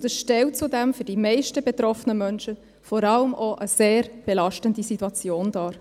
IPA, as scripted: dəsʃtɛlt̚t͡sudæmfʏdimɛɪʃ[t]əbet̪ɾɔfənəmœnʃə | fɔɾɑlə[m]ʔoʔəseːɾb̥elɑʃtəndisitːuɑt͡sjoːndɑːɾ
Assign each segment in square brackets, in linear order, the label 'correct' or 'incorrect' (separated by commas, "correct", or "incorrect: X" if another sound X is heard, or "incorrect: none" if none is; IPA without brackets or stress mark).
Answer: correct, correct